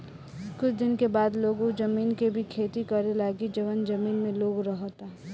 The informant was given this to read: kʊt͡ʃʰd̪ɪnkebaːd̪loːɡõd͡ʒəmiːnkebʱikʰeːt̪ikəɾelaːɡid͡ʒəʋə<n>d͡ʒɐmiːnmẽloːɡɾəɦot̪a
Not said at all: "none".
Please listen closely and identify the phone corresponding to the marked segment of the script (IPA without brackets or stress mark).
n